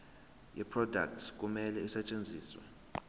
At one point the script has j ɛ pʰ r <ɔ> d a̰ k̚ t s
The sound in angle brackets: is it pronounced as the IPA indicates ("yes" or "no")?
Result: yes